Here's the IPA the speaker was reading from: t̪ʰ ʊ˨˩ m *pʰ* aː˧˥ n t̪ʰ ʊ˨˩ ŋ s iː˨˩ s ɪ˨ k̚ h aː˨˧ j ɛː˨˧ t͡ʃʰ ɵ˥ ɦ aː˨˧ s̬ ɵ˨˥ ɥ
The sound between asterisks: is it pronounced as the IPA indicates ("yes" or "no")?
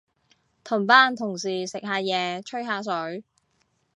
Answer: no